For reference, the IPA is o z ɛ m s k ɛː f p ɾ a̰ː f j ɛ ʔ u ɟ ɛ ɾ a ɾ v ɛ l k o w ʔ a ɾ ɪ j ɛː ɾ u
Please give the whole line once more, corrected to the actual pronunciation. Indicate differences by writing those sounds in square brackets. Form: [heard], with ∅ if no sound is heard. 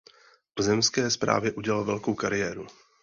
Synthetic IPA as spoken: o z ɛ m s k ɛː [s] p ɾ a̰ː [v] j ɛ ʔ u ɟ ɛ [l] a [l] v ɛ l k o w [k] a ɾ ɪ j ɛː ɾ u